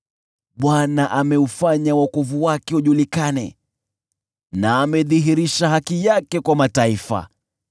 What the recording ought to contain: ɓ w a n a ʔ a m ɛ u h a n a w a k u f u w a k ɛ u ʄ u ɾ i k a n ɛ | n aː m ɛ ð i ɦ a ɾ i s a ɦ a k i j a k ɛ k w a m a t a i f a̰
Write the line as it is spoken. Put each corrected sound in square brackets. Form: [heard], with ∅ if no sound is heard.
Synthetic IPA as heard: ɓ w a n a ʔ a m ɛ u [f] a [ɲ] a w a k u [v] u w a k ɛ u ʄ u [l] i k a n ɛ | n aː m ɛ ð i ɦ [i] ɾ i [ʃ] a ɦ a k i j a k ɛ k w a m a t a i f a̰